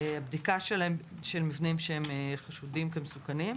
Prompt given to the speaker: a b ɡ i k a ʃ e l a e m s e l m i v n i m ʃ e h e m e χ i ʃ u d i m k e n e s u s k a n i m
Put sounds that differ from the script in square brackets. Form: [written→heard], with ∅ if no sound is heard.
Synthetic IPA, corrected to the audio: a b [ɡ→d] i k a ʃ e l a e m [s→ʃ] e l m i v n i m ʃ e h e m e χ [i→a] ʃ u d i m k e [n→m] e s u [s→∅] k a n i m